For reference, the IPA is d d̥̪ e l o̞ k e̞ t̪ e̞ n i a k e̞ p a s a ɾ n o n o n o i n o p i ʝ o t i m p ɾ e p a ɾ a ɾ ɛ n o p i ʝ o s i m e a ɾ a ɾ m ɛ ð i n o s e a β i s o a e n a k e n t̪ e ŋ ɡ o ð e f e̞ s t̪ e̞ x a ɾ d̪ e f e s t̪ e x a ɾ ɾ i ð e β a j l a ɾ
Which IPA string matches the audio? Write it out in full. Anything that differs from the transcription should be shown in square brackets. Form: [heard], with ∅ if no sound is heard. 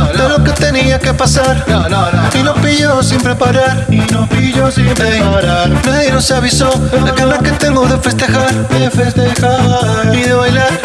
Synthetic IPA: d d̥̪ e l o̞ k e̞ t̪ e̞ n i a k e̞ p a s a ɾ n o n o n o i n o p i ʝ o [s] i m p ɾ e p a ɾ a ɾ [i] n o p i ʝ o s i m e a ɾ a ɾ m [e] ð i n o s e a β i s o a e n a k e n t̪ e ŋ ɡ o ð e f e̞ s t̪ e̞ x a ɾ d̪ e f e s t̪ e x a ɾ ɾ i ð e β a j l a ɾ